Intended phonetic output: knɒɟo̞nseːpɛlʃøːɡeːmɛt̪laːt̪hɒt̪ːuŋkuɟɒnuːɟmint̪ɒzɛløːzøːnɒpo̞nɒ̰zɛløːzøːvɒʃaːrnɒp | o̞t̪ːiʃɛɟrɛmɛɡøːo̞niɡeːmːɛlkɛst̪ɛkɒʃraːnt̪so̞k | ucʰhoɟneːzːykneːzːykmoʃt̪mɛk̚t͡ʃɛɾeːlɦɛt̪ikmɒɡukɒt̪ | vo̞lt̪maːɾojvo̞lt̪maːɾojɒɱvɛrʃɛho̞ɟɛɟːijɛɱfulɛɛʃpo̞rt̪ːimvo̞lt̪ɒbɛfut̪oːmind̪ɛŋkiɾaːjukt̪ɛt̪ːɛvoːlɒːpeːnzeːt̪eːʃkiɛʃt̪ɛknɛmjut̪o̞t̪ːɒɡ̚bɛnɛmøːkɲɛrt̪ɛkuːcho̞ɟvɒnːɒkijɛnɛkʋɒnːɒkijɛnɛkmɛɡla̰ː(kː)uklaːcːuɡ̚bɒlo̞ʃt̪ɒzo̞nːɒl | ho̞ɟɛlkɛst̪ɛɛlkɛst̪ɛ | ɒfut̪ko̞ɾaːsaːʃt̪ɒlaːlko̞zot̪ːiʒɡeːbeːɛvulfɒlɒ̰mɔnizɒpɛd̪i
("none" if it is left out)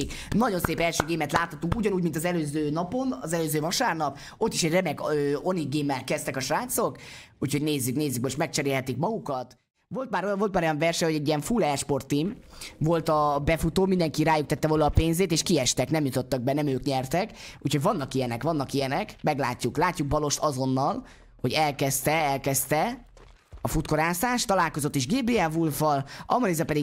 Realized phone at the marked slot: cː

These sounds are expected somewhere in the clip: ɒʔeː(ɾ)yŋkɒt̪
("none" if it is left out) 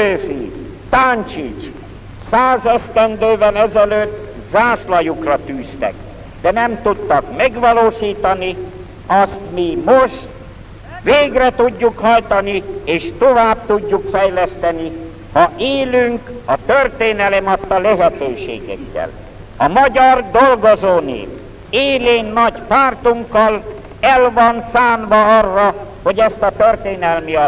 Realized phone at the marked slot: l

